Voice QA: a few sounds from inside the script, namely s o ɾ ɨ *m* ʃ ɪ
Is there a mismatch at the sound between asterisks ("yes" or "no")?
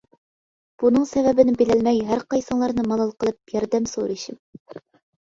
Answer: yes